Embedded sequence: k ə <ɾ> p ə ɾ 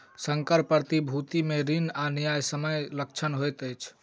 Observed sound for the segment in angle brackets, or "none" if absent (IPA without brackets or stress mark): ɾ